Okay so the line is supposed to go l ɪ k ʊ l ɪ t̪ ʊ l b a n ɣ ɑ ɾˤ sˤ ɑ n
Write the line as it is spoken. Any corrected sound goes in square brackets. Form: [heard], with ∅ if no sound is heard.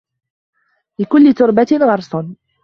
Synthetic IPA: l ɪ k ʊ [lː] ɪ t̪ ʊ [ɾ] b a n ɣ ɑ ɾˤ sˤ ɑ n